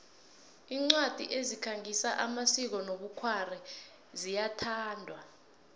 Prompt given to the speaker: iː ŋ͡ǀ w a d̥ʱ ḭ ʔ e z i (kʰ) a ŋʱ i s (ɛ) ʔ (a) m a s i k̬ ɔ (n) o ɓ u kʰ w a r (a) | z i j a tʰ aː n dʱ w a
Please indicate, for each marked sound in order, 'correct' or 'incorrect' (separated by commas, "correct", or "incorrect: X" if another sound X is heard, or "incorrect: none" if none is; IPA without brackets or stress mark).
correct, incorrect: a, correct, correct, incorrect: ɛ